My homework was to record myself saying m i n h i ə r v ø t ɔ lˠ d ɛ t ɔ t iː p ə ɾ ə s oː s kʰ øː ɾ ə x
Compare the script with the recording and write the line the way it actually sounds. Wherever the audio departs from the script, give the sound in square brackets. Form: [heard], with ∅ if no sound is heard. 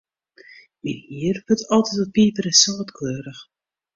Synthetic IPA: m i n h i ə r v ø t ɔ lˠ [t] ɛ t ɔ [p] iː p ə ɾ ə s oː [t] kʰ øː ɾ ə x